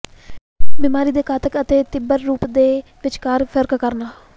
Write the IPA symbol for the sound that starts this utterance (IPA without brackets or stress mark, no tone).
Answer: b